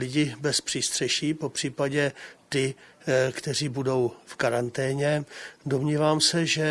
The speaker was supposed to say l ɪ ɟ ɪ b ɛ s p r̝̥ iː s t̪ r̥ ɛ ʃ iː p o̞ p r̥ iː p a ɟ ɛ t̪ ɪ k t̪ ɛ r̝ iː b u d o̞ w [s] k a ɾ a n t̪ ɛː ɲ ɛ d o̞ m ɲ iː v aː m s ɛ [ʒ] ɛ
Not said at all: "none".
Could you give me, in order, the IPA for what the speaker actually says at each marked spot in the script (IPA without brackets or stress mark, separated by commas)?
f, ʒ